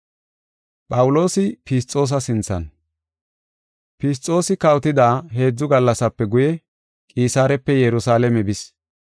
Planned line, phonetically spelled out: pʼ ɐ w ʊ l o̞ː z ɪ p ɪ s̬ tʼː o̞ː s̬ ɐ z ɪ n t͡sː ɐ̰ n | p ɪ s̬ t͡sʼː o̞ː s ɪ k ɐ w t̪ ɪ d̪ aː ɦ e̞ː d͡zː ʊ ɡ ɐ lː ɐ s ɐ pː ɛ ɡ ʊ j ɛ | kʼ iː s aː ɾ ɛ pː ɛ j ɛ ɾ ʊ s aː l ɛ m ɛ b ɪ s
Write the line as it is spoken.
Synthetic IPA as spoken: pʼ ɐ w ʊ l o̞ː s ɪ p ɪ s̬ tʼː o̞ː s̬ ɐ s ɪ n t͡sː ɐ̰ n | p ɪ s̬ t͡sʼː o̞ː s ɪ k ɐ w t̪ ɪ d̪ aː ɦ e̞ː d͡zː ʊ ɡ ɐ lː ɐ s ɐ pː ɛ ɡ ʊ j ɛ | kʼ iː s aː ɾ ɛ pː ɛ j ɛ ɾ ʊ s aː l ɛ m ɛ b ɪ s